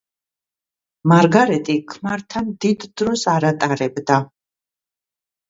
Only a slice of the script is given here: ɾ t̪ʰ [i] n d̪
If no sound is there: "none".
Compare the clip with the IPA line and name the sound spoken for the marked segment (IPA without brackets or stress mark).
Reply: a